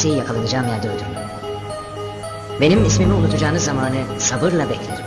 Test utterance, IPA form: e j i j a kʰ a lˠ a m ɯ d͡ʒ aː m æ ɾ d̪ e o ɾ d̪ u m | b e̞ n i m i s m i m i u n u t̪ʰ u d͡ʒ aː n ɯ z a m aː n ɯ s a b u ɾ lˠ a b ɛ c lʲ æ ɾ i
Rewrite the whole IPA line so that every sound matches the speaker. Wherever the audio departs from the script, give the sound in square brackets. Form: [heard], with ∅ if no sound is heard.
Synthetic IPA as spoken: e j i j a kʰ a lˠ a [n] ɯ d͡ʒ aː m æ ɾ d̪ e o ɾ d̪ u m | b e̞ n i m i s m i m i u n u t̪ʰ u d͡ʒ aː n ɯ z a m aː n ɯ s a b [ɯ] ɾ lˠ a b ɛ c lʲ [e] ɾ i

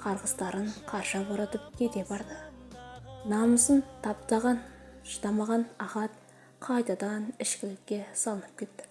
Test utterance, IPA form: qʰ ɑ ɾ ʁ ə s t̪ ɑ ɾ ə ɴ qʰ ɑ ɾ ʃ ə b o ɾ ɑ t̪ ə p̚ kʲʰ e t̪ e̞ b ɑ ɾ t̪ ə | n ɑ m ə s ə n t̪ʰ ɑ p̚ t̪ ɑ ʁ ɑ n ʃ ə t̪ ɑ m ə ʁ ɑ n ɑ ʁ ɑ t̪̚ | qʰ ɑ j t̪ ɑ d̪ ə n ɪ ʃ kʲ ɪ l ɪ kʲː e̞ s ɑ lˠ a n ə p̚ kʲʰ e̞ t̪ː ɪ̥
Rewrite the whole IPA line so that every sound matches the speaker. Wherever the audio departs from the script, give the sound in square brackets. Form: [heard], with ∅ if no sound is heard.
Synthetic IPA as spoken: qʰ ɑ ɾ ʁ ə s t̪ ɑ ɾ ə ɴ qʰ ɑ ɾ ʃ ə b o ɾ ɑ t̪ ə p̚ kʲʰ e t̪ e̞ b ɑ ɾ [d̪] ə | n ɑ m ə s ə n t̪ʰ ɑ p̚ t̪ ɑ ʁ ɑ n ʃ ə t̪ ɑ m [ɑ] ʁ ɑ n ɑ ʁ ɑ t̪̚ | qʰ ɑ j t̪ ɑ d̪ [ɑ] n ɪ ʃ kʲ ɪ l ɪ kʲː e̞ s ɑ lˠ [ə] n ə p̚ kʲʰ e̞ t̪ː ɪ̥

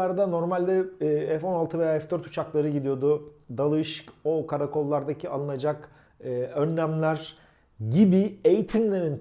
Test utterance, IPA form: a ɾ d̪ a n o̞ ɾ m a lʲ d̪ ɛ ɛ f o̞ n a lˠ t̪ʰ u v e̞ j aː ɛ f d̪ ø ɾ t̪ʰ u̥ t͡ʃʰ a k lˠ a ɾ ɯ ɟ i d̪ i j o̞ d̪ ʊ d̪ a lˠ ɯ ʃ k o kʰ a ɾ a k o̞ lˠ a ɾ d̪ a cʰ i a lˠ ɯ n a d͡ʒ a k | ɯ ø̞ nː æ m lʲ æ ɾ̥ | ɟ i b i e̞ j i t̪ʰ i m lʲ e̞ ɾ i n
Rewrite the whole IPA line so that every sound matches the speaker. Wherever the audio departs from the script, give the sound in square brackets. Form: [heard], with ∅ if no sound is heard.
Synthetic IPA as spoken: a ɾ d̪ a n o̞ ɾ m a lʲ d̪ ɛ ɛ f o̞ n a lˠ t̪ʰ [ɯ] v e̞ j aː ɛ f d̪ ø ɾ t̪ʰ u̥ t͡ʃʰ a k lˠ a ɾ ɯ ɟ i d̪ i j o̞ d̪ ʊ d̪ a lˠ ɯ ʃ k o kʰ a ɾ a k o̞ [lˠː] a ɾ d̪ a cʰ i a lˠ ɯ n a d͡ʒ a k | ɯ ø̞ nː æ m lʲ æ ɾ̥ | ɟ i b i e̞ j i t̪ʰ i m lʲ e̞ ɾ i n

